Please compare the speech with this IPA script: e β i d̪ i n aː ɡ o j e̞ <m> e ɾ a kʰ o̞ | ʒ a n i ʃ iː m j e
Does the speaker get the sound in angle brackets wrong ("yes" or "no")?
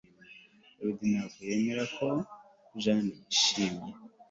no